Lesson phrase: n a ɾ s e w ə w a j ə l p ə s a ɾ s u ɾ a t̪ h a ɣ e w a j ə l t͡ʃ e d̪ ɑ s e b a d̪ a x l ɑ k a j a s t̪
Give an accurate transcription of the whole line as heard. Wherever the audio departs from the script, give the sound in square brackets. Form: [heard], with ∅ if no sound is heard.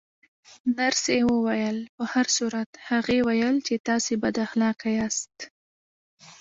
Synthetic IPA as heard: n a ɾ s e w ə w a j ə l p ə [h] a ɾ s u ɾ a t̪ h a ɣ e w a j ə l t͡ʃ e [t̪] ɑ s e b a d̪ a x l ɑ k a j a s t̪